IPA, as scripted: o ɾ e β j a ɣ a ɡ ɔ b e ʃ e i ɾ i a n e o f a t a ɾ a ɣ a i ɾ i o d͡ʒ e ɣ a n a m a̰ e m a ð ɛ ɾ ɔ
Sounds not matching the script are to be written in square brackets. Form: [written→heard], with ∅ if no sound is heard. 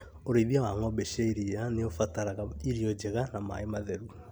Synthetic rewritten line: o ɾ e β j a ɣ a [ɡ→ŋ] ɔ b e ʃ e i ɾ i a n e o f a t a ɾ a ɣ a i ɾ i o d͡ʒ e ɣ a n a m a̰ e m a ð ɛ ɾ [ɔ→u]